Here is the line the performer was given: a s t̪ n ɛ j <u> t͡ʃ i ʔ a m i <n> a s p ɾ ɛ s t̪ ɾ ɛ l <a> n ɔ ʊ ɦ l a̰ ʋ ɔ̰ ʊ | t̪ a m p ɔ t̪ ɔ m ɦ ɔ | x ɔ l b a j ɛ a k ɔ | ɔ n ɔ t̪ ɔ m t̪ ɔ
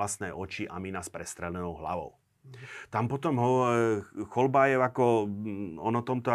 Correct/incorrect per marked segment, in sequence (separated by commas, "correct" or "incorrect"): incorrect, correct, incorrect